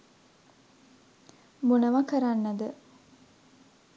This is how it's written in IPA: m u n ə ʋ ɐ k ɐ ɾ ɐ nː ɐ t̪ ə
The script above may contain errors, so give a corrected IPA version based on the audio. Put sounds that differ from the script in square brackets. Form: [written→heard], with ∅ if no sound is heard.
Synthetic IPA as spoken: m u n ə ʋ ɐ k [ɐ→ə] ɾ [ɐ→a] nː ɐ [t̪→d̪] ə